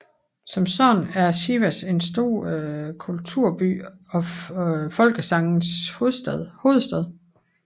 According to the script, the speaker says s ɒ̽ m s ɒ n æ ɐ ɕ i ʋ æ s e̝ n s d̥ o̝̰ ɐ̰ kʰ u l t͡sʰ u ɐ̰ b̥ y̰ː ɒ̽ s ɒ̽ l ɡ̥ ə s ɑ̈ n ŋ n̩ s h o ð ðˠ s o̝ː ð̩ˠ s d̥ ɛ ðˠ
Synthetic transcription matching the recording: s ɒ̽ m s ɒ n æ ɐ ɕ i ʋ æ s e̝ n s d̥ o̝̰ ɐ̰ kʰ u l t͡sʰ u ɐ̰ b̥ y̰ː ɒ̽ f ɒ̽ l ɡ̥ ə s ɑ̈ ŋ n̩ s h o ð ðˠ h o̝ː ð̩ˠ s d̥ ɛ ðˠ